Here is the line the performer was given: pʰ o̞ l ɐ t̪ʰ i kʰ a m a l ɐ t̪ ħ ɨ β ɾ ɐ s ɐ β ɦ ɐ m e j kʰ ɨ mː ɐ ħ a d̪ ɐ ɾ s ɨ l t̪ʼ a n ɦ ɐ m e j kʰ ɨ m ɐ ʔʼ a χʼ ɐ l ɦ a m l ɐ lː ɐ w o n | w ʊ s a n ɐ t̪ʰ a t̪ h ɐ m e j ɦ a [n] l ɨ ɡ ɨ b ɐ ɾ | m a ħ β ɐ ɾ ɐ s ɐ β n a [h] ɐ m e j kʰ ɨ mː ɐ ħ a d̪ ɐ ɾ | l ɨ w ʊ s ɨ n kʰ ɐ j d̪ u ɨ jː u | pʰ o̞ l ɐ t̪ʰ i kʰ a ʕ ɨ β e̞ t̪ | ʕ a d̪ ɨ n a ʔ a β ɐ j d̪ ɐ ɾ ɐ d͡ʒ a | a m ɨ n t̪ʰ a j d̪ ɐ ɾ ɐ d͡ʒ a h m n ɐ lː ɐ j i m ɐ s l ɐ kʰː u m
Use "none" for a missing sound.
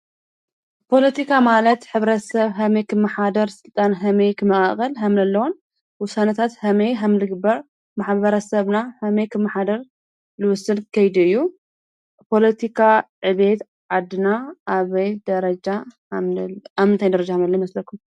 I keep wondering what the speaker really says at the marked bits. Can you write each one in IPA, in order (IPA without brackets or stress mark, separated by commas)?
m, h